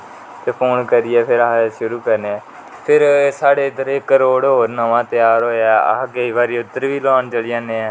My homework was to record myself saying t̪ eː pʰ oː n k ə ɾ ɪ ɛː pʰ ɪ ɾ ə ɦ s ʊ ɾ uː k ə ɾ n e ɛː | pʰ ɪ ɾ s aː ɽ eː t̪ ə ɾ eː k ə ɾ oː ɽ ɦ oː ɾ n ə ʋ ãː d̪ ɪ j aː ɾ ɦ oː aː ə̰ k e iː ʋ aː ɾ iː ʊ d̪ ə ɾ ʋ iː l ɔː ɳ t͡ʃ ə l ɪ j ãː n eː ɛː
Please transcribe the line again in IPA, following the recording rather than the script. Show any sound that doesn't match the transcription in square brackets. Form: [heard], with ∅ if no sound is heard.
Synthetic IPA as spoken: t̪ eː pʰ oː n k ə ɾ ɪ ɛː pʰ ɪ ɾ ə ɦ [ʃ] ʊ ɾ uː k ə ɾ n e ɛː | pʰ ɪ ɾ s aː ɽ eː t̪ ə ɾ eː k ə ɾ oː ɽ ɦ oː ɾ n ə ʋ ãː [t̪] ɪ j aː ɾ ɦ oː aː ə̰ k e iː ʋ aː ɾ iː ʊ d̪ ə ɾ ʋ iː l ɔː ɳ t͡ʃ ə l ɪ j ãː n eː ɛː